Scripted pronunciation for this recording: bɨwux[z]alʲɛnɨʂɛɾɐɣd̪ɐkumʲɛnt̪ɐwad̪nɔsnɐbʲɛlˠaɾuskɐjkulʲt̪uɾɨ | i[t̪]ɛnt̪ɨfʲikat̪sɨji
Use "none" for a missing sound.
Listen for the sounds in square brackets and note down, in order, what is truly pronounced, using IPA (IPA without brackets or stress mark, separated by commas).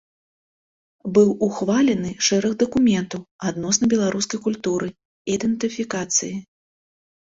v, d̪